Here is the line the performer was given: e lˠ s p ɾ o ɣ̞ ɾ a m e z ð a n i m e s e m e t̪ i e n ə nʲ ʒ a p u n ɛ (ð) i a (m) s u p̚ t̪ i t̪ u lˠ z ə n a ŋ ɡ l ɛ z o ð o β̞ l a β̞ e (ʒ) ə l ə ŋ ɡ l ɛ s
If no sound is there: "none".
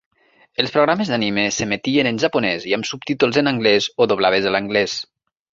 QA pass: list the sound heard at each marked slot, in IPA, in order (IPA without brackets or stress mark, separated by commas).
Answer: z, m, z